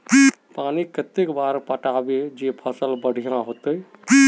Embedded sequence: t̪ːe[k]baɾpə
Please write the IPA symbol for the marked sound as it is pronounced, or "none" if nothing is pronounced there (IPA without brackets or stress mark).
k